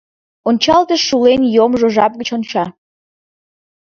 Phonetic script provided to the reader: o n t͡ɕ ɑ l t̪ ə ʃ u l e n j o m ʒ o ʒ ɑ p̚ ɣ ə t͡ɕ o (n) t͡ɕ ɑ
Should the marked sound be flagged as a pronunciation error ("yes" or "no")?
no